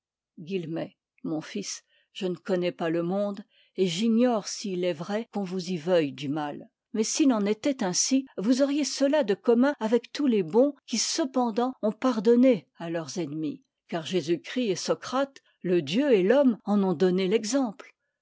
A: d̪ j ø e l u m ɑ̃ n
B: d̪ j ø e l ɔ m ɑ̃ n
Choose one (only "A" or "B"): B